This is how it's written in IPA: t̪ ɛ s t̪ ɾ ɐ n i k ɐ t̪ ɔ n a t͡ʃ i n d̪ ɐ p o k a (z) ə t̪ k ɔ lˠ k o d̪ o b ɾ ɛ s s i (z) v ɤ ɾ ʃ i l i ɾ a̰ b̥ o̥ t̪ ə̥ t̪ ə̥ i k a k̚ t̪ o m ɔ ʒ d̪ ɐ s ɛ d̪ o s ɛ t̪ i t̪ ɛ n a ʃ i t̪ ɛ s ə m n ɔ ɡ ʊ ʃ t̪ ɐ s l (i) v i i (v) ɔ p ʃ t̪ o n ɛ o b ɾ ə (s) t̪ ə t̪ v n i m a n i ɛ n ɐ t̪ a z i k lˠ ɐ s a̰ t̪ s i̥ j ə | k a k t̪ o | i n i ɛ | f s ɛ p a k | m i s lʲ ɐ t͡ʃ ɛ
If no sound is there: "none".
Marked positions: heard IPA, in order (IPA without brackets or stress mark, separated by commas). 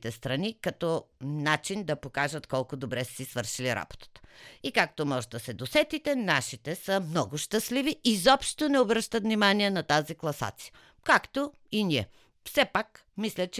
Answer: ʒ, s, i, z, ʃ